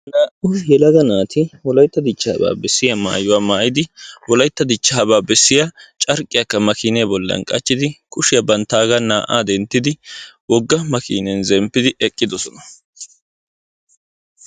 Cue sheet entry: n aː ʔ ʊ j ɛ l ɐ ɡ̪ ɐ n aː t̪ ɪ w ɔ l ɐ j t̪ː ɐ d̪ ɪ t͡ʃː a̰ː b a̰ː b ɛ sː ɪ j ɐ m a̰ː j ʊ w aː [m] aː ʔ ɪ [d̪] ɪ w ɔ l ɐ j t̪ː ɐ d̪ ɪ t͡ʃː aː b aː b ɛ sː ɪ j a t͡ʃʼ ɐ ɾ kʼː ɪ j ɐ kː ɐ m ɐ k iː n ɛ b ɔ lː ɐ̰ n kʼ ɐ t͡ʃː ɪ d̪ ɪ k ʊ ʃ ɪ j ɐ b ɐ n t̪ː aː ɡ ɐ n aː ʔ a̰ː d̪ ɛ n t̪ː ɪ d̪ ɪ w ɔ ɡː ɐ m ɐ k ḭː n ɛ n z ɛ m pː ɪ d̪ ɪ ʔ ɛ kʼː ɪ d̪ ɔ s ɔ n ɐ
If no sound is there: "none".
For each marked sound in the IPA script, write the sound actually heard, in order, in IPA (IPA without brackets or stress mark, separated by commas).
m, d̪